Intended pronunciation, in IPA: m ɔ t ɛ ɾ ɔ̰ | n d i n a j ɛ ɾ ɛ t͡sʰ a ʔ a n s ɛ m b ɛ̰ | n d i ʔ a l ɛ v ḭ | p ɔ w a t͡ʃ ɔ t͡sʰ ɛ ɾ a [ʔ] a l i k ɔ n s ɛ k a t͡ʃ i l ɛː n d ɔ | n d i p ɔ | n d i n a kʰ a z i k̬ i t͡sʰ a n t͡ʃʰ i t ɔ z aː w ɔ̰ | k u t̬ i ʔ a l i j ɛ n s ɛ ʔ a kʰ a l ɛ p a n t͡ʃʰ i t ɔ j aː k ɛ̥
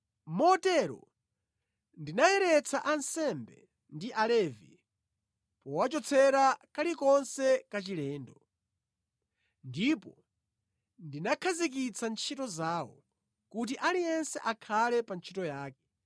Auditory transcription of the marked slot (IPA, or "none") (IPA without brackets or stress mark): k